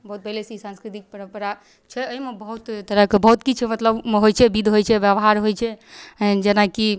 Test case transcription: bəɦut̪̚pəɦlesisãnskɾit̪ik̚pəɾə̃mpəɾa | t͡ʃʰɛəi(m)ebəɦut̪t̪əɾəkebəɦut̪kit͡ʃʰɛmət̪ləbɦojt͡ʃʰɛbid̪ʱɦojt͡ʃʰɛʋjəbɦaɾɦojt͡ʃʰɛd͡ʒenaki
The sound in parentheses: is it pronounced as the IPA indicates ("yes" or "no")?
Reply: yes